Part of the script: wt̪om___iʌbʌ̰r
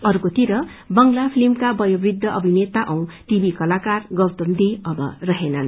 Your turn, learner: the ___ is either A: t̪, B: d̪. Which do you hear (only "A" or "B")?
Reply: B